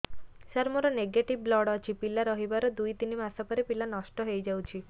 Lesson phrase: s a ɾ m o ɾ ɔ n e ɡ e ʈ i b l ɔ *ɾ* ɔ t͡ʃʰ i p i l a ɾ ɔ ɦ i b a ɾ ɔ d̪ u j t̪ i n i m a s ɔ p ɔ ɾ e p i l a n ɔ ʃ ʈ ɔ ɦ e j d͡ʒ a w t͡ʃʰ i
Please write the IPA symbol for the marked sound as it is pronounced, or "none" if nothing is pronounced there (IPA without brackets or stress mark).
ɽ